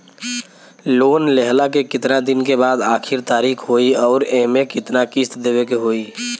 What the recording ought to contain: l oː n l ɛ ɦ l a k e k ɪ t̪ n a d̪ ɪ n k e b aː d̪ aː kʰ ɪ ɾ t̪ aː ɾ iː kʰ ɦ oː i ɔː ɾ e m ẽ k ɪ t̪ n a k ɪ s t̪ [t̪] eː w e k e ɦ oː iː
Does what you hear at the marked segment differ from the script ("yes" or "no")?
yes